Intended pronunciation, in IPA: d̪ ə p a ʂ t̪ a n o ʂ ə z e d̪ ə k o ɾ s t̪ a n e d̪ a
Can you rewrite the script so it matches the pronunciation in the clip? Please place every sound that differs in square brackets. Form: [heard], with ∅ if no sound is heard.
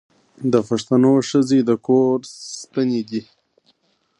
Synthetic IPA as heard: d̪ ə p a ʂ t̪ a n o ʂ ə z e d̪ ə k o ɾ s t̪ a n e d̪ [i]